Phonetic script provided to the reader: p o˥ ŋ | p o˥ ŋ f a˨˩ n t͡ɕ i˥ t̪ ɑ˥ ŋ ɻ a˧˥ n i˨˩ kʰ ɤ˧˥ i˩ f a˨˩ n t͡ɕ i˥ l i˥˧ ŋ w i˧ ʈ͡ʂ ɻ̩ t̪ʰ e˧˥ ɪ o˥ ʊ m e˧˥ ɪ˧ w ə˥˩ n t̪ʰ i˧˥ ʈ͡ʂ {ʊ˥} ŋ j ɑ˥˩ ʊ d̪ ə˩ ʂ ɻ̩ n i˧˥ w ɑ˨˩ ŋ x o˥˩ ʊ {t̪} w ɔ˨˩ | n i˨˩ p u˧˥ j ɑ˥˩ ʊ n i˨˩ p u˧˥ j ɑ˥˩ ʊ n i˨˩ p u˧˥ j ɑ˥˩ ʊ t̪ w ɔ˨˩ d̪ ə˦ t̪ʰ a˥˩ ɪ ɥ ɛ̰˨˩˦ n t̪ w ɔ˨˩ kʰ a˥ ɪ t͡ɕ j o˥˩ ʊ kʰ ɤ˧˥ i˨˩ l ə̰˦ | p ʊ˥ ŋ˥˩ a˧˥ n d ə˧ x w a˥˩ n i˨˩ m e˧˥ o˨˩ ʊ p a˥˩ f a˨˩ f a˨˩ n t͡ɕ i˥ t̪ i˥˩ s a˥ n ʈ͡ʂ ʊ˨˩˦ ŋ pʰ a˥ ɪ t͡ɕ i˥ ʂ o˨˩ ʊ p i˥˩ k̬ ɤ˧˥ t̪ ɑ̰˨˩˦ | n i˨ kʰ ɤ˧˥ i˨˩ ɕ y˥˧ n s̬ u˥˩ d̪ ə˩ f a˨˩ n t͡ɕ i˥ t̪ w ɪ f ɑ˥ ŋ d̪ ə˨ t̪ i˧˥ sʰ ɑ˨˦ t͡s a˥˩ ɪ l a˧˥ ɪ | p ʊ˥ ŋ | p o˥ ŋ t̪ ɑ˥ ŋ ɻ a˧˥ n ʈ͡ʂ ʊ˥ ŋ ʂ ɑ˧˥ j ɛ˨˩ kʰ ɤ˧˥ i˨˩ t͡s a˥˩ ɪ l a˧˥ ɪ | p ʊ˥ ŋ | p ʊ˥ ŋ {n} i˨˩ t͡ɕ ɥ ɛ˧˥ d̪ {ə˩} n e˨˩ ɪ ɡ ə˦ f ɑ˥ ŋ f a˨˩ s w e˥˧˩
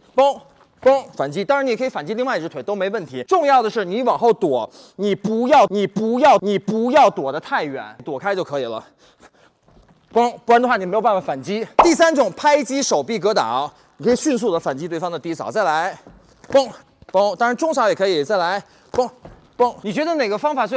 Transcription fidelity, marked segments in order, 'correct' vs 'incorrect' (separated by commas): incorrect, correct, correct, incorrect